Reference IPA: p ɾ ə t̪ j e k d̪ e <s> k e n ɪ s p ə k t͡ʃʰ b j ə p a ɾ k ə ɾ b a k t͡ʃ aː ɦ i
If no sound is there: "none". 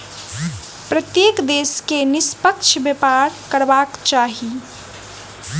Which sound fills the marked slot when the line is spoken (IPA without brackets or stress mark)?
s